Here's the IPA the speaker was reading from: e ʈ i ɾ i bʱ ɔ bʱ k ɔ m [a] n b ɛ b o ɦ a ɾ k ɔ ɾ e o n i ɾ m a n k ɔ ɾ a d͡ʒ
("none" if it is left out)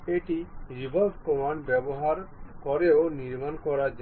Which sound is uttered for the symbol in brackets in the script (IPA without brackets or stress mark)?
a